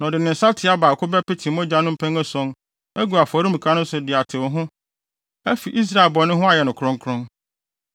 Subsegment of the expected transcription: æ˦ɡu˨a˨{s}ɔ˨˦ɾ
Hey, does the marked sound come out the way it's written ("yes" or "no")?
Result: no